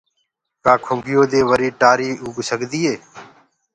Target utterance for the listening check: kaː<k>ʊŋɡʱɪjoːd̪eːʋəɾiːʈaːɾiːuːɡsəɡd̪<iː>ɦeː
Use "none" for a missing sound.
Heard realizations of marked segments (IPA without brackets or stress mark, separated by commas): kʰ, iː